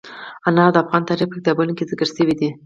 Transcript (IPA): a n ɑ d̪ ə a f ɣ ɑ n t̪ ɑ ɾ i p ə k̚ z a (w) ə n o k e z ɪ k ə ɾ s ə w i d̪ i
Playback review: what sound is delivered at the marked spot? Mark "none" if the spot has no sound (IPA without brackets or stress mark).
b